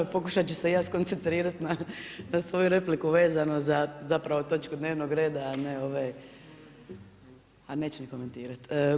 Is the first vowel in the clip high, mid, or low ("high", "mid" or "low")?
mid